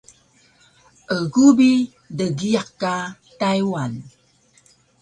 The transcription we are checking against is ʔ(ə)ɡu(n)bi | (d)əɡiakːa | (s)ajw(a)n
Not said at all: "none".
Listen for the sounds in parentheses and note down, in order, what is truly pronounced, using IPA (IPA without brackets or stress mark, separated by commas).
ə, none, d, t, a